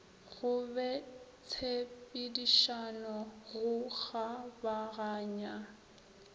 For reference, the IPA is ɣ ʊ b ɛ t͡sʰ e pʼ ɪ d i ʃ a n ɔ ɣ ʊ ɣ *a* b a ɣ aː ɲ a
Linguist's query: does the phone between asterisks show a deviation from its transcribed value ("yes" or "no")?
no